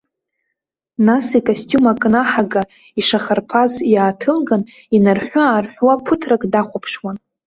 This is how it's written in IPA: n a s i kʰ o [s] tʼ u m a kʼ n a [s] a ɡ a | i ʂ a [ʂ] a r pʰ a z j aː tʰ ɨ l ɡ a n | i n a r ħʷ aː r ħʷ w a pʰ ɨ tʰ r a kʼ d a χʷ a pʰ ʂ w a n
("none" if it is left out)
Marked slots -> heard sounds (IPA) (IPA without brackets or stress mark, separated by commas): s, ħ, χ